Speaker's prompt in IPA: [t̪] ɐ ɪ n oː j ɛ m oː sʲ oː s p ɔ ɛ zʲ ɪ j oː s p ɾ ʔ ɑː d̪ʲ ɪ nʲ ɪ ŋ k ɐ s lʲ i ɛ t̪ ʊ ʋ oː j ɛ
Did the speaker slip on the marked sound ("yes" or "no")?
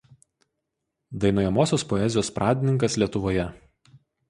yes